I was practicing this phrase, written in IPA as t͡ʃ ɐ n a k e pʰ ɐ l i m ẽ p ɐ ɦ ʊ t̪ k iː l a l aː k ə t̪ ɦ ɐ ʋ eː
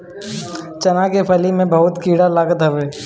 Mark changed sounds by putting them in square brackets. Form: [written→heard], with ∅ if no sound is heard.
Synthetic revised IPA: t͡ʃ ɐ n a k e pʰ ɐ l i m ẽ [p→b] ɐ ɦ ʊ t̪ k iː [l→ɽ] a l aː [k→ɡ] ə t̪ ɦ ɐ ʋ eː